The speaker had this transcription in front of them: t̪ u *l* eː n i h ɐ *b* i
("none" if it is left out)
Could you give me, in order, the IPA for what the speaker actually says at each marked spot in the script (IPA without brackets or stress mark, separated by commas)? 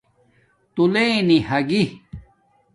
l, ɡ